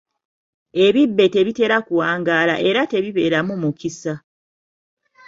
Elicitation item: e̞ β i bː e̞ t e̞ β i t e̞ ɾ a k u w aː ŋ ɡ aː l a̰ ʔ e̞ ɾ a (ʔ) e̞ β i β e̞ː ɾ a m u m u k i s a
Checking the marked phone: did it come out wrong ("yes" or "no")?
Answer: yes